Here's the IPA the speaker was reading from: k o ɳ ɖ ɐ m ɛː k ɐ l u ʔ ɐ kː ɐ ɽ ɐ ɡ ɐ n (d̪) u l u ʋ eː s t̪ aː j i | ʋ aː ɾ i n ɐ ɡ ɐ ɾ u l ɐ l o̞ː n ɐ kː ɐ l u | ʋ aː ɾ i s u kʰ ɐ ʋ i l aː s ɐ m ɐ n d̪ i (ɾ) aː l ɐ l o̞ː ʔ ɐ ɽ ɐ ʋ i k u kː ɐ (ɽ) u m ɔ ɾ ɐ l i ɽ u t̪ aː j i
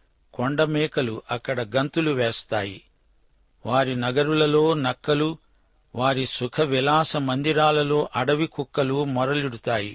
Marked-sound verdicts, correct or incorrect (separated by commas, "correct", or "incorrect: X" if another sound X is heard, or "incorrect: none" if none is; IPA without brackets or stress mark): incorrect: t̪, correct, incorrect: l